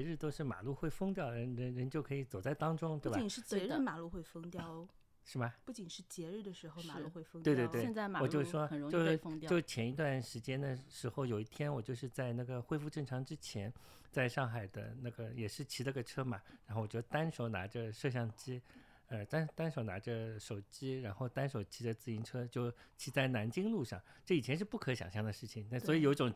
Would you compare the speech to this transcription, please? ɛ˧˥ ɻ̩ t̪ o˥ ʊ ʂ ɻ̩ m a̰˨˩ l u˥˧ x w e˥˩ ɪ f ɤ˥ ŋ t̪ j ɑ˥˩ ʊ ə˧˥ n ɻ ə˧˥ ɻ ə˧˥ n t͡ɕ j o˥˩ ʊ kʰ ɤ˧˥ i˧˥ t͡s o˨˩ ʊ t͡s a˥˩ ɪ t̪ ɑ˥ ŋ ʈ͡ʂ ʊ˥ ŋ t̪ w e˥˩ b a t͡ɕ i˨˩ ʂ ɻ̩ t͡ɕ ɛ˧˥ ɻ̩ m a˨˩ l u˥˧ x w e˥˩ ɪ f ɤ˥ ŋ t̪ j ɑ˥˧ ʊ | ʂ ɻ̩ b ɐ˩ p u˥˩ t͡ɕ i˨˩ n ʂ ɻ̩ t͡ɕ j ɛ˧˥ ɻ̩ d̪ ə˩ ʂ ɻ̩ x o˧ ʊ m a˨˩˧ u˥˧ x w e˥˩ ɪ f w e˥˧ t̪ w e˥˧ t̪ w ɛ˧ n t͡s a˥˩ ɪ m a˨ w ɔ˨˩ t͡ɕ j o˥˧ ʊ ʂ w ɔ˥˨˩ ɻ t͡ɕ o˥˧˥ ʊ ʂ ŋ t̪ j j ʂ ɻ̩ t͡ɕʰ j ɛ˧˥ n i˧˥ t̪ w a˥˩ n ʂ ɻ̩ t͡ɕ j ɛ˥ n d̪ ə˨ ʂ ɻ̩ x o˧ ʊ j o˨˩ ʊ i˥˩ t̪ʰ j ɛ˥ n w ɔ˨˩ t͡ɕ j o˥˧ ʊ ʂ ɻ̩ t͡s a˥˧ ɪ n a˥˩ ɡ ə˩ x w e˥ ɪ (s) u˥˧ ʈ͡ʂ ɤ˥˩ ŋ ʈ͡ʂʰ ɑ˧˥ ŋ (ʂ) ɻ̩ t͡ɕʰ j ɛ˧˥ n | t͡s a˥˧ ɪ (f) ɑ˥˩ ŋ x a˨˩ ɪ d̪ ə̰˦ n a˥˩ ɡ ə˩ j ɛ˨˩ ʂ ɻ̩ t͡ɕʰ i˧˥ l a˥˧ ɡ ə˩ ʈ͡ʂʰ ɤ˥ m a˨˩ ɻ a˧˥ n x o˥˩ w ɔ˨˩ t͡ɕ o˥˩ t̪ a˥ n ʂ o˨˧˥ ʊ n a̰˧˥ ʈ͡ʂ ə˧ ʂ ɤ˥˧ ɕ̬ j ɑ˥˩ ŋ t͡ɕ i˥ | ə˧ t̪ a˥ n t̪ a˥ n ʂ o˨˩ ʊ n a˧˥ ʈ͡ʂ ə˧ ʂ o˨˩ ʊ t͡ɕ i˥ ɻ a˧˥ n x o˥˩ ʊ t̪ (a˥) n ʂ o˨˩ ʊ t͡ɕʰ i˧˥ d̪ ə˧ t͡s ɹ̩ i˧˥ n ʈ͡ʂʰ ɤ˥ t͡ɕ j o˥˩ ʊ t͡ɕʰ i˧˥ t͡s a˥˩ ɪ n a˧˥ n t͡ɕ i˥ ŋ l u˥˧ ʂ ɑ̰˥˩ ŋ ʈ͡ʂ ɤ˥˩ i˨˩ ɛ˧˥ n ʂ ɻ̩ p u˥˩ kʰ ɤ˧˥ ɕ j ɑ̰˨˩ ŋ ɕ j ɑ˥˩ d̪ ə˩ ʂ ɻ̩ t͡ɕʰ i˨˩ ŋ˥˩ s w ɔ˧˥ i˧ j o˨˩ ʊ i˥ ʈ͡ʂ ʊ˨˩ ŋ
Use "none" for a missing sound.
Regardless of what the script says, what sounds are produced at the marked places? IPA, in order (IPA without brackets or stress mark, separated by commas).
f, ʈ͡ʂ, ʂ, a˥